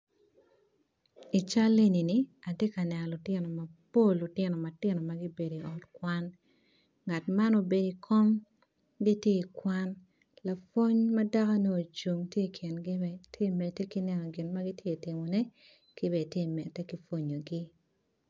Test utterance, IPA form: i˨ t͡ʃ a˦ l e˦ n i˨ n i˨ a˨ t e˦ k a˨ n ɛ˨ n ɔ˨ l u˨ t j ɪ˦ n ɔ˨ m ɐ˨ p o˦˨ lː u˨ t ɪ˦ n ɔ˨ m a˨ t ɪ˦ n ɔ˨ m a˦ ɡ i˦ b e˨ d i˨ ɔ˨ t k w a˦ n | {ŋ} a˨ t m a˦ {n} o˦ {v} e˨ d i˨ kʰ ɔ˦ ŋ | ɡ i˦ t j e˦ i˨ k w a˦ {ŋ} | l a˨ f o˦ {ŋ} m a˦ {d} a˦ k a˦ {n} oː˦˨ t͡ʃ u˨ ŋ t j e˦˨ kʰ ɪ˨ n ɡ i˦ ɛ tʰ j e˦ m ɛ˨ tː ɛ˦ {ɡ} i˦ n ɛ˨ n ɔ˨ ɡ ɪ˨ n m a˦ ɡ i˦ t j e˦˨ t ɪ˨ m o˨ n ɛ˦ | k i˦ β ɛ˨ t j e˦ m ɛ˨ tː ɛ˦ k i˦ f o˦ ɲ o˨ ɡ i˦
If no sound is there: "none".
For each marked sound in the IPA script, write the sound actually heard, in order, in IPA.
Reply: ŋ, n, b, n, ɲ, d, n, k

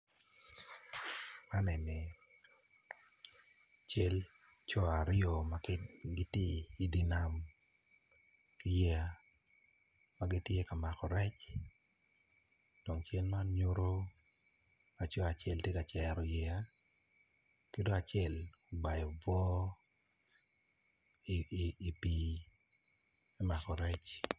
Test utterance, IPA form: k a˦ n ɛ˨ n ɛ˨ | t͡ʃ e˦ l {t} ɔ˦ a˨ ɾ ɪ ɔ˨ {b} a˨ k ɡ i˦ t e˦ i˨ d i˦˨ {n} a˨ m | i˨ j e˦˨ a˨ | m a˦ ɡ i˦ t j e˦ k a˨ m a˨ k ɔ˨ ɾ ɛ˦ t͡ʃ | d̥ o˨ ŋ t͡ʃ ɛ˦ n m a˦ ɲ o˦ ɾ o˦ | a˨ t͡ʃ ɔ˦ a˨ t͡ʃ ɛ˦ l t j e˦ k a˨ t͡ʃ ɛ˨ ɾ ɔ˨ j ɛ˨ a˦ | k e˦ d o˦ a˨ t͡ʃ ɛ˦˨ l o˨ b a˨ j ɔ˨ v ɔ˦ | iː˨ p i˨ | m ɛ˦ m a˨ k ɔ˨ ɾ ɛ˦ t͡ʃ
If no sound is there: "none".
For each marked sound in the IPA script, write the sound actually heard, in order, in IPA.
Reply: t͡ʃ, m, n

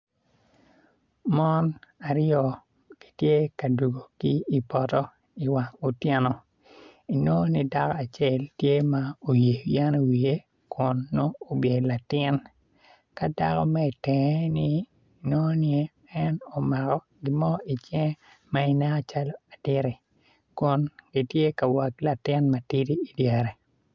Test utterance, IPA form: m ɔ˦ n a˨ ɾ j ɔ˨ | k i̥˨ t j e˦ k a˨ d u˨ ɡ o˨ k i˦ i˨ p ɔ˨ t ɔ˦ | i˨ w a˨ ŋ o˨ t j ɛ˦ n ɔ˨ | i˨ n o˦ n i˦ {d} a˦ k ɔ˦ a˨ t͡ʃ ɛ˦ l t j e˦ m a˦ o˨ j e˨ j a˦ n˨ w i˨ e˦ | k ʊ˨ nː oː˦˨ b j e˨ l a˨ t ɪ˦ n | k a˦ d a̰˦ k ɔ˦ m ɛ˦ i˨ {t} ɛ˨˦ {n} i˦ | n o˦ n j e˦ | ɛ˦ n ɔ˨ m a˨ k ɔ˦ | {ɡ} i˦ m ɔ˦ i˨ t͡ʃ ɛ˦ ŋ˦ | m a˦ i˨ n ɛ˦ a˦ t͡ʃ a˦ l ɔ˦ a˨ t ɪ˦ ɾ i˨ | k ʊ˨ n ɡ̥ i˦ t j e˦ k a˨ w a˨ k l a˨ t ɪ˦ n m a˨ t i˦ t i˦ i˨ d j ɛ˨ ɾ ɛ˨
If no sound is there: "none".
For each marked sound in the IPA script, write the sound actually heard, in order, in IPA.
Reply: d, t, n, ɡ

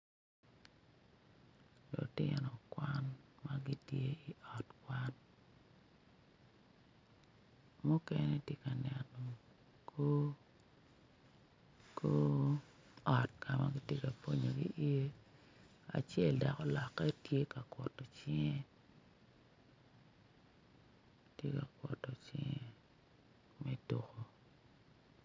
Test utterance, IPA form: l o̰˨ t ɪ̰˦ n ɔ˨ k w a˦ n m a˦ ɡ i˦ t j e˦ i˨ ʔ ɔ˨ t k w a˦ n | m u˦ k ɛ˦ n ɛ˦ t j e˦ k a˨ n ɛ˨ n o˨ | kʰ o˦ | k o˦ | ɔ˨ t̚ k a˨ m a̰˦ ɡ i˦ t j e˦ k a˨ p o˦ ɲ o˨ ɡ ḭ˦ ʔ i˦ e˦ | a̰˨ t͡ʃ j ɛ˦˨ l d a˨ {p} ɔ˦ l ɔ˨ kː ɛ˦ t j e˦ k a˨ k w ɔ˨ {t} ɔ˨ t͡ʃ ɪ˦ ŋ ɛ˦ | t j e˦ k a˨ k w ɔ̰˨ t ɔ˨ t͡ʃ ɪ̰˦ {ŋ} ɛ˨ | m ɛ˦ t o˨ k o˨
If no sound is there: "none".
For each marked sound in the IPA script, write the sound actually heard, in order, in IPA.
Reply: k, t, ŋ

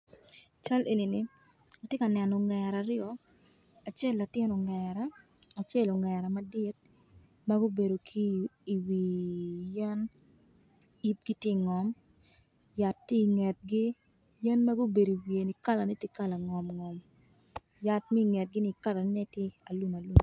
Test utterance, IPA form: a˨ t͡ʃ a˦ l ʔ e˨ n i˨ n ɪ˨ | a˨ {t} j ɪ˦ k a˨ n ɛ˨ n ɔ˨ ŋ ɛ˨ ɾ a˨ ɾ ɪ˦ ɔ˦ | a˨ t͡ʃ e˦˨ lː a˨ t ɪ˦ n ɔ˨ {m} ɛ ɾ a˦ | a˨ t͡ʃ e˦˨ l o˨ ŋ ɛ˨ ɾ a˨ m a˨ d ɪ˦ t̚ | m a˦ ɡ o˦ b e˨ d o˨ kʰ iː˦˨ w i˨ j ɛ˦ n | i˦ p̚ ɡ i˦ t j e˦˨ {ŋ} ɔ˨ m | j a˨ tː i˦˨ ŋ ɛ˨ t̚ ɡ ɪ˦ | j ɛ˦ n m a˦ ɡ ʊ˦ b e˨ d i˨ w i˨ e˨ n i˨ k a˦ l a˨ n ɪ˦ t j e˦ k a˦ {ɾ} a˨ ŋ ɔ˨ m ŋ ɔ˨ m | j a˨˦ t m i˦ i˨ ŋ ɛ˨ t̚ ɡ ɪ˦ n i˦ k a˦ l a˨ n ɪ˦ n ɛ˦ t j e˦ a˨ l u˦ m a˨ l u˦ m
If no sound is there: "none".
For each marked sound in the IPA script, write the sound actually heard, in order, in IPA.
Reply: t, ŋ, ŋ, l

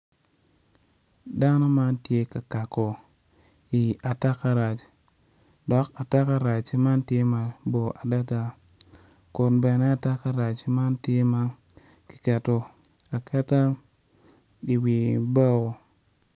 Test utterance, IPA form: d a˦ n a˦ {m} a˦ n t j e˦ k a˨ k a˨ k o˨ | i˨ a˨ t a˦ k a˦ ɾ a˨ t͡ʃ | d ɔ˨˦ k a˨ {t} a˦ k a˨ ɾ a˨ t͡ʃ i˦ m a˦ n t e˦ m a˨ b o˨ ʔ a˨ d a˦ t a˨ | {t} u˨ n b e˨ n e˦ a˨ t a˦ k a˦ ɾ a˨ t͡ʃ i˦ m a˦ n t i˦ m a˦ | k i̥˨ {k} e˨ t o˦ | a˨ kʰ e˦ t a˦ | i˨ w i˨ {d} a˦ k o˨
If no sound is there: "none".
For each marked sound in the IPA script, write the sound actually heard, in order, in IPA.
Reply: m, t, k, k, b

